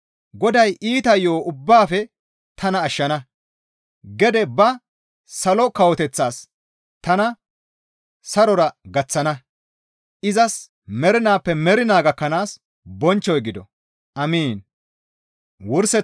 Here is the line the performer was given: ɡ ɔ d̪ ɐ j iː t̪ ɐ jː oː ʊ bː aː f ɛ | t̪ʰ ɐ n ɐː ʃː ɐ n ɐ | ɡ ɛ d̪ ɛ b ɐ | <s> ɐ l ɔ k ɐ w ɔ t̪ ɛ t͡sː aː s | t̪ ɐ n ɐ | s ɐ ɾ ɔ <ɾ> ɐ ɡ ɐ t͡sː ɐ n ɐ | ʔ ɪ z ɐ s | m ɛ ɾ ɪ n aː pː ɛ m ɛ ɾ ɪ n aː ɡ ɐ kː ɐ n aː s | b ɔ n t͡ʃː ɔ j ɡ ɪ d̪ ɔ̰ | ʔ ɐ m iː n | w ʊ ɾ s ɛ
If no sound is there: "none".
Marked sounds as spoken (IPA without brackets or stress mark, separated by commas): s, ɾ